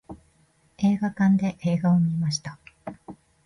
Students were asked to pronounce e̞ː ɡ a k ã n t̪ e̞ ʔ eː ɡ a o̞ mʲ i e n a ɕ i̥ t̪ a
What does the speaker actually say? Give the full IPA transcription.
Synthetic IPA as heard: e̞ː ɡ a k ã n d̪ e̞ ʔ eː ɡ a o̞ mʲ i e m a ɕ i̥ t̪ a